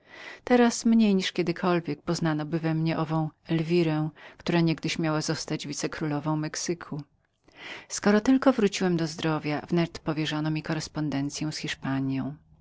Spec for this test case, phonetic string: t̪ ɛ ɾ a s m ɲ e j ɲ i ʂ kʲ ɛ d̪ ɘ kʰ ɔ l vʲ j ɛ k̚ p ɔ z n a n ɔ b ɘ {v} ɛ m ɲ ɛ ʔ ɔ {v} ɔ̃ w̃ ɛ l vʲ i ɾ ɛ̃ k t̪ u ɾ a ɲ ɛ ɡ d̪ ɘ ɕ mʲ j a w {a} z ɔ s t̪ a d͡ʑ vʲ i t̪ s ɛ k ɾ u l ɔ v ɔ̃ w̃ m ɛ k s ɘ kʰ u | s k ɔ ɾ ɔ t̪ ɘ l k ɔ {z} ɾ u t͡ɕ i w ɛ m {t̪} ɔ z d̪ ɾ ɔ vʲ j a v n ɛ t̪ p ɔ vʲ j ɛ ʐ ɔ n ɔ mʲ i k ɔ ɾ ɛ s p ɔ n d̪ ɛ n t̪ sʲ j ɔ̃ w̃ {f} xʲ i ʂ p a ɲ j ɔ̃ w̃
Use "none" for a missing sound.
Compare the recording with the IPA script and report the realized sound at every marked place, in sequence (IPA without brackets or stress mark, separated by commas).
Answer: v, v, a, v, d̪, s